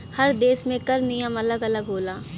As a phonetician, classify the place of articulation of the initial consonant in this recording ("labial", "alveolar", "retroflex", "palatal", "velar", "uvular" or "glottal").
glottal